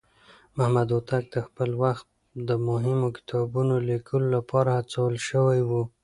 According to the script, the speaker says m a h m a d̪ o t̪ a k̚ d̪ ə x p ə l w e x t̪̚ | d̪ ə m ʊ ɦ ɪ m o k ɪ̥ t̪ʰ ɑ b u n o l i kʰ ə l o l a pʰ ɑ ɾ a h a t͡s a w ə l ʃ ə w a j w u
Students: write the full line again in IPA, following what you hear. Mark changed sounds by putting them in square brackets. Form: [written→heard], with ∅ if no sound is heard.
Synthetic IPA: m a h m a d̪ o t̪ a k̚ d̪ ə x p ə l w [e→a] x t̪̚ | d̪ ə m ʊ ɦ ɪ m o k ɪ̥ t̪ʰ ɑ b u n o l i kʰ ə l o l a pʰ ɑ ɾ a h a t͡s a w ə l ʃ ə w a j w u